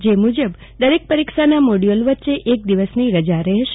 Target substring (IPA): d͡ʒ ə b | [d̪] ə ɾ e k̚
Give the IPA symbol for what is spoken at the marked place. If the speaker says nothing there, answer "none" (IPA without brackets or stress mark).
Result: d̪